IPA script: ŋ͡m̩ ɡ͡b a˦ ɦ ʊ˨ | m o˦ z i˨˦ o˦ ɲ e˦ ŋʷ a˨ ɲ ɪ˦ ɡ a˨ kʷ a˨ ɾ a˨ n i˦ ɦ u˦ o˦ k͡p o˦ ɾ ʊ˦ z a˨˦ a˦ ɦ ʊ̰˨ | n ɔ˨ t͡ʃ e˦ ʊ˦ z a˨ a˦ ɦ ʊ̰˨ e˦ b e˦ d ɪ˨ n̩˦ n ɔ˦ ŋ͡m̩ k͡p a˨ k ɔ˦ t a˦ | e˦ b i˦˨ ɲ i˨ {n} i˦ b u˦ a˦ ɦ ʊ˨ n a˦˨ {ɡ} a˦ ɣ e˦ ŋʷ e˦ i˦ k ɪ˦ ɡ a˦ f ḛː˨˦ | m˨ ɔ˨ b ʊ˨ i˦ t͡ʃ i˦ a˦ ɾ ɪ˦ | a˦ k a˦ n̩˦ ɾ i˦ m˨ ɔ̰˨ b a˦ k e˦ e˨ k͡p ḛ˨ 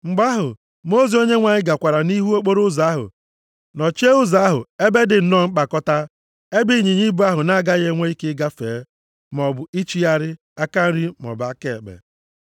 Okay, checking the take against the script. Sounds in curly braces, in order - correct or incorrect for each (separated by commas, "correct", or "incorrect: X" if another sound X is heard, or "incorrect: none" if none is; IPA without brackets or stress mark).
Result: incorrect: ɲ, correct